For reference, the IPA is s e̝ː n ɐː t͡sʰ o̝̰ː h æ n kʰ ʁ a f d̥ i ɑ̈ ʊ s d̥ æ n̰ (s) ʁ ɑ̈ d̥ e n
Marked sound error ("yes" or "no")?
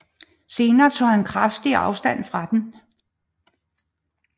yes